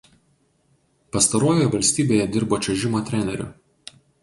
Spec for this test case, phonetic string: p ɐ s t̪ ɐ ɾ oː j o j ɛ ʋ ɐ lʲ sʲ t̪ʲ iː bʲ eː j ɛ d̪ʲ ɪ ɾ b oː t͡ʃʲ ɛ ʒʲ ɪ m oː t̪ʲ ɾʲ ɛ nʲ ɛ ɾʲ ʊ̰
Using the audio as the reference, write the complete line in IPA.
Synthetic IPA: p ɐ s t̪ ɐ ɾ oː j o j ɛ ʋ ɐ lʲ sʲ t̪ʲ iː bʲ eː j ɛ d̪ʲ ɪ ɾ b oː t͡ʃʲ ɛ ʒʲ ɪ m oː t̪ʲ ɾʲ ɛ nʲ ɛ ɾʲ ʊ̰